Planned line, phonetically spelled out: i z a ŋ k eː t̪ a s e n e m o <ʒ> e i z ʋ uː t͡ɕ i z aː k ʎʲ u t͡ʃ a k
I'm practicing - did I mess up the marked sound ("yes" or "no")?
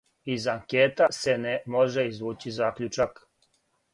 no